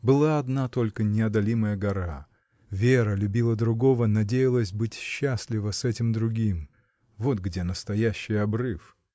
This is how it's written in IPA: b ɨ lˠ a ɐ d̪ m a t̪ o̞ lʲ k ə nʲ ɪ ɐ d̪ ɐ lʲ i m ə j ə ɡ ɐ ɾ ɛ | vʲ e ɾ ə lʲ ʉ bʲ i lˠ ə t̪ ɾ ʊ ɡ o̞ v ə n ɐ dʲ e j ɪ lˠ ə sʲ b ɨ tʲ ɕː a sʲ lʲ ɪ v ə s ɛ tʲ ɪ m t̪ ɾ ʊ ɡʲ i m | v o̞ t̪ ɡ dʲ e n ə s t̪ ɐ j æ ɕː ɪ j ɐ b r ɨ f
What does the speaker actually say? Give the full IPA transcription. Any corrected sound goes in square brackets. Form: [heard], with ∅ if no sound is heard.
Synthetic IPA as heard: b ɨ lˠ a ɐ d̪ [n] a t̪ o̞ lʲ k ə nʲ ɪ ɐ d̪ ɐ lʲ i m ə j ə ɡ ɐ ɾ [a] | vʲ e ɾ ə lʲ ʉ bʲ i lˠ ə [d̪] ɾ ʊ ɡ o̞ v ə n ɐ dʲ e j ɪ lˠ ə sʲ b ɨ tʲ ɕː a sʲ lʲ ɪ v ə s ɛ tʲ ɪ m [d̪] ɾ ʊ ɡʲ i m | v o̞ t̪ ɡ dʲ e n ə s t̪ ɐ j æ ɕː ɪ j ɐ b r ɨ f